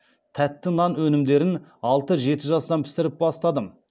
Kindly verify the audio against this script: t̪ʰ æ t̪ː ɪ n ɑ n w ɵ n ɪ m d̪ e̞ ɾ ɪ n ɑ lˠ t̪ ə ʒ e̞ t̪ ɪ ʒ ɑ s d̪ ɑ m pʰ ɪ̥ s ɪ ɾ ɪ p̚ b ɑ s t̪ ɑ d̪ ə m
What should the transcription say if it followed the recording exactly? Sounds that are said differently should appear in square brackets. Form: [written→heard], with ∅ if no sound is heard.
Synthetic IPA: t̪ʰ æ t̪ː ɪ n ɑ n w ɵ n ɪ m d̪ e̞ ɾ ɪ n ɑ lˠ t̪ ə ʒ e̞ t̪ ɪ ʒ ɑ s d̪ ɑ m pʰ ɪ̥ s ɪ ɾ ɪ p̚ b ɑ s t̪ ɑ d̪ ə m